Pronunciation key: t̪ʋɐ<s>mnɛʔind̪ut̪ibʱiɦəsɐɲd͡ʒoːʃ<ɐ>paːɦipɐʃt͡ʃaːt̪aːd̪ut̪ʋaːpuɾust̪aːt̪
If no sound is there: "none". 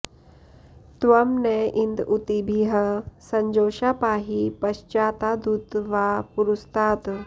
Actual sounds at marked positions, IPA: none, a

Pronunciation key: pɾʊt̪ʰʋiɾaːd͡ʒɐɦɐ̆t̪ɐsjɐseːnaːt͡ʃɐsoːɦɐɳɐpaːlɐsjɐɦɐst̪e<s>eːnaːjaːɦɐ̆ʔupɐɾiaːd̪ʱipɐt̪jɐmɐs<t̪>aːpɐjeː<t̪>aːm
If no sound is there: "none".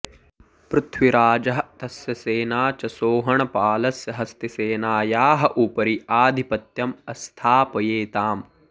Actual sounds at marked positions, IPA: s, t̪ʰ, t̪

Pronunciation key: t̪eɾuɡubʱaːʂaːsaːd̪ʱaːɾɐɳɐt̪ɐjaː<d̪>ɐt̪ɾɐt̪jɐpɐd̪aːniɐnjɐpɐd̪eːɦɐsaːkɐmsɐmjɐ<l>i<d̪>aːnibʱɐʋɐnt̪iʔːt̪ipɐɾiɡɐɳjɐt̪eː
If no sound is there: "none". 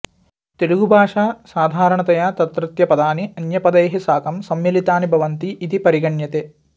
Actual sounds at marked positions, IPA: t̪, l, t̪

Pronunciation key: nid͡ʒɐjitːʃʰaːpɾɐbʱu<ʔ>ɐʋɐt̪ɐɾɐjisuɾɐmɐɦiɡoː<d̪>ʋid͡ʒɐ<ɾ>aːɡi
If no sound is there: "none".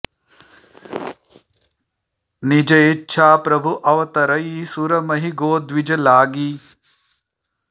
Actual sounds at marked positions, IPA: ʔ, d̪, l

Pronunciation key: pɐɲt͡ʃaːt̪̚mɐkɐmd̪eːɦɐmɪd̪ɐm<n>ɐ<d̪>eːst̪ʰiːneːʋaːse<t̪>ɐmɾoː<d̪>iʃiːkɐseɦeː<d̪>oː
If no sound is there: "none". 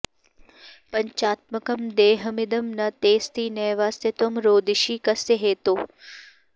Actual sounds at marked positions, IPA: n, t̪, t̪, d̪, t̪

